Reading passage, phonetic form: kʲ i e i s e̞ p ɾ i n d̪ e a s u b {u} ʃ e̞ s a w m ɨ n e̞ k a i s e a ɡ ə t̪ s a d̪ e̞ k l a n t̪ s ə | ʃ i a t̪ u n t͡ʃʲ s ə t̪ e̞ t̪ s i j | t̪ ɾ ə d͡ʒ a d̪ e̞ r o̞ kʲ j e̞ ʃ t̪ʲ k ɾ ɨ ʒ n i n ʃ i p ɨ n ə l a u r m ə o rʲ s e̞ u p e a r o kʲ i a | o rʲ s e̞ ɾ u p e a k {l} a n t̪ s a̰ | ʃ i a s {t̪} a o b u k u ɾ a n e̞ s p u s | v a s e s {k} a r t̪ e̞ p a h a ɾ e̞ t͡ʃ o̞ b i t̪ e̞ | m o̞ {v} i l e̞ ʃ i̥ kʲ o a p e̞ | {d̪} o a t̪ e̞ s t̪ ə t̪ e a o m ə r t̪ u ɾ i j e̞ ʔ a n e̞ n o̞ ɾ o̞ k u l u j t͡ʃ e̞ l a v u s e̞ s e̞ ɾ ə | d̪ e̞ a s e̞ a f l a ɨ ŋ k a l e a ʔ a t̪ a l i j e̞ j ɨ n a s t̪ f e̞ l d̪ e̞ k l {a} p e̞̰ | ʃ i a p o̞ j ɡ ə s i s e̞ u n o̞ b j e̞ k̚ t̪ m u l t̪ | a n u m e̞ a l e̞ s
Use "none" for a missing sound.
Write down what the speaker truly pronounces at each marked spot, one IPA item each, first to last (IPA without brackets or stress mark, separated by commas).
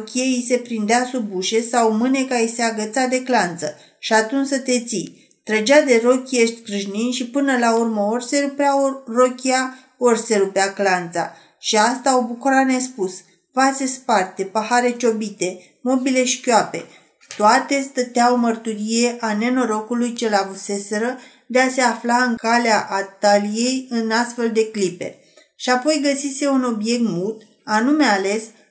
u, l, t̪, p, b, t̪, i